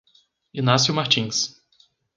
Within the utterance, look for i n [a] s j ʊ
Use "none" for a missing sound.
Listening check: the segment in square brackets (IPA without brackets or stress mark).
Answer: a